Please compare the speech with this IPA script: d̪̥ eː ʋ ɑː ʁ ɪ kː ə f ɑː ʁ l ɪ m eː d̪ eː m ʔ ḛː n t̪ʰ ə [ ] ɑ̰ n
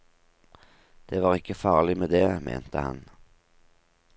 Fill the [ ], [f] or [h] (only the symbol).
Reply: h